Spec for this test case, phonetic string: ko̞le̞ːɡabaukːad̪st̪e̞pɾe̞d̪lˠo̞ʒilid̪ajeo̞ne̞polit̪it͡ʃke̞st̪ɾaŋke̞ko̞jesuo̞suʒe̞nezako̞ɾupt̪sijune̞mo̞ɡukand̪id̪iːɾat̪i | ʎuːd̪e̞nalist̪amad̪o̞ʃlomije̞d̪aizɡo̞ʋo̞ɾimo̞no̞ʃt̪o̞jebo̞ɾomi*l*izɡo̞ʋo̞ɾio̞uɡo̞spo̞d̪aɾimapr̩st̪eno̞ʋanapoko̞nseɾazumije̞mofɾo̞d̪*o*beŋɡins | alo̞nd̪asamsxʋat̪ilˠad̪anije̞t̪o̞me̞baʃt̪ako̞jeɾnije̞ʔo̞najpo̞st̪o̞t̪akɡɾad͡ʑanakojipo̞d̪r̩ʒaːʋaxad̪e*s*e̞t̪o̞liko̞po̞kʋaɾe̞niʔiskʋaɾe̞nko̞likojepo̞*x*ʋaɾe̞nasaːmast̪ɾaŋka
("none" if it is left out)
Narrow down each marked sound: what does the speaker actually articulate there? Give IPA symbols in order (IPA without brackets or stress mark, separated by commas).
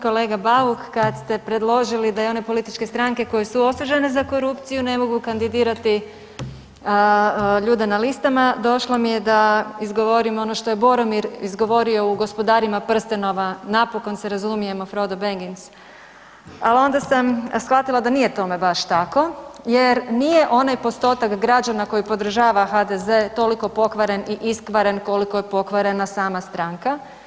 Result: ɾ, o, z, k